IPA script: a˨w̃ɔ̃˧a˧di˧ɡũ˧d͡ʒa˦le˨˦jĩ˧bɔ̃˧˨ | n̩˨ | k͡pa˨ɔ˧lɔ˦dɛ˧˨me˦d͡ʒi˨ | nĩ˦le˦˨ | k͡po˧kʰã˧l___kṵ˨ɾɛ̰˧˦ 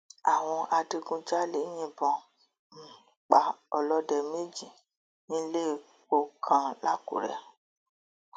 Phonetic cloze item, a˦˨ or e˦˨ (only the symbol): a˦˨